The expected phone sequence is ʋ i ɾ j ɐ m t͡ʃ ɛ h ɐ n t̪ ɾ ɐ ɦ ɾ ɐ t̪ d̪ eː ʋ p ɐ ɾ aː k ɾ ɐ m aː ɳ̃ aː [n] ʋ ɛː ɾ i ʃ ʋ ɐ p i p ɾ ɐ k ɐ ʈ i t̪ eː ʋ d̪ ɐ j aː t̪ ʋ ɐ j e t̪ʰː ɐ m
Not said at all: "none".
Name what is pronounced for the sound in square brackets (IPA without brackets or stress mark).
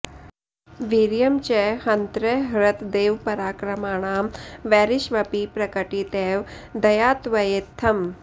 m